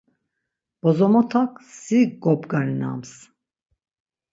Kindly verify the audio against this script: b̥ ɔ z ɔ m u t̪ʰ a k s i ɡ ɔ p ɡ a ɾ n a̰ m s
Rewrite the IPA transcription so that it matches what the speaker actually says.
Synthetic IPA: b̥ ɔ z ɔ m ɔ t̪ʰ a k s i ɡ ɔ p ɡ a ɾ n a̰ m s

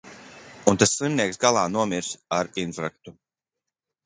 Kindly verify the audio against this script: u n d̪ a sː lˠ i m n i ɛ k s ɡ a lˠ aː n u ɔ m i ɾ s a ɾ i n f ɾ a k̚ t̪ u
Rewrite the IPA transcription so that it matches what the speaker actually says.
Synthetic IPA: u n t̪ a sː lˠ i m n i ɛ k s ɡ a lˠ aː n u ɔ m i ɾ s a ɾ i n f ɾ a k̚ t̪ u

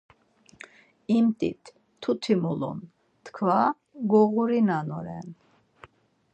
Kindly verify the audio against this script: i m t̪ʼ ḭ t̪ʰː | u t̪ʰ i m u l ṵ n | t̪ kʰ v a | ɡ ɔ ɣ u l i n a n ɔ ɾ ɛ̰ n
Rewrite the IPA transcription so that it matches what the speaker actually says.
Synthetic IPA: i m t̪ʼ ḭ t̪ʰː | u t̪ʰ i m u l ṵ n | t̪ kʰ v a | ɡ ɔ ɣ u ɾ i n a n ɔ ɾ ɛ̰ n

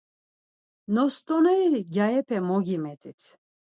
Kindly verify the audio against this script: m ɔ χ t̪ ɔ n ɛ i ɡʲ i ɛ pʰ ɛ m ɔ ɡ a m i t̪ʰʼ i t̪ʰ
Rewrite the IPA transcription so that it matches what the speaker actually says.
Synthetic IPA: n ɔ s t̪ ɔ n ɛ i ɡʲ a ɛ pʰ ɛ m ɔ ɡ i m ɛ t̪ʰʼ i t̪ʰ

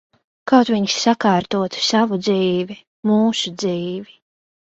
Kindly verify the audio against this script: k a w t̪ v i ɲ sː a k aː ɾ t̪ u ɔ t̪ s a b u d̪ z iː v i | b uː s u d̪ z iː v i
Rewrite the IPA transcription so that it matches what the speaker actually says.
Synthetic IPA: k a w t̪ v i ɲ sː a k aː ɾ t̪ u ɔ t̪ s a v u d̪ z iː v i | m uː s u d̪ z iː v i

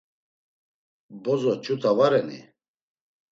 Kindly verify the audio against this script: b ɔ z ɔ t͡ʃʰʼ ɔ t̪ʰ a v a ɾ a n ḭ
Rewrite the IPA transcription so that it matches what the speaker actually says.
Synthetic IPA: b ɔ z ɔ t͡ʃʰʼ u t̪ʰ a v a ɾ ɛ n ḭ

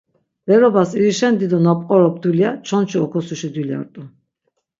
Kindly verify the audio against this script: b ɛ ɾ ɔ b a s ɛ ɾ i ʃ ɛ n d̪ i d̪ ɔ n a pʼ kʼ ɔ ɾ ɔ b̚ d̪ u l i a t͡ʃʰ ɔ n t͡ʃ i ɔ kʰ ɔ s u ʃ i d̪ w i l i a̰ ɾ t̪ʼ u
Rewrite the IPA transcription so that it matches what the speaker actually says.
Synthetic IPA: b ɛ ɾ ɔ b a s i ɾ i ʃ ɛ n d̪ i d̪ ɔ n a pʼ qʼ ɔ ɾ ɔ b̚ d̪ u l i a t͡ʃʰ ɔ n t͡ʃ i ɔ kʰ ɔ s u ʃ i d̪ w i l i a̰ ɾ t̪ʼ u

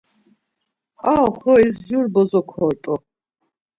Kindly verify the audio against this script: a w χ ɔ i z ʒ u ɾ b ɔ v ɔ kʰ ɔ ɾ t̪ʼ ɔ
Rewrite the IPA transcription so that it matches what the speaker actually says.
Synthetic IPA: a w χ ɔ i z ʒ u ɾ b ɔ z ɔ kʰ ɔ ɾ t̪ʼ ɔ

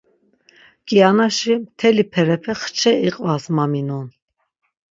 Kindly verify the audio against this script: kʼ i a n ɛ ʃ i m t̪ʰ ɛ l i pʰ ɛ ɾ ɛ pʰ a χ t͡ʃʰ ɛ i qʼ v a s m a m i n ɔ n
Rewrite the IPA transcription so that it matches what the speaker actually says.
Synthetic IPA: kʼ i a n a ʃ i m t̪ʰ ɛ l i pʰ ɛ ɾ ɛ pʰ ɛ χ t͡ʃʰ ɛ i qʼ v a s m a m i n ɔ n

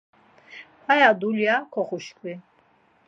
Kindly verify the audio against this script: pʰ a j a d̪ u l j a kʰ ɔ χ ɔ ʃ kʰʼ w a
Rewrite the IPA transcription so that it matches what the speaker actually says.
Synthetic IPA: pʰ a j a d̪ u l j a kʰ ɔ χ u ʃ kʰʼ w i

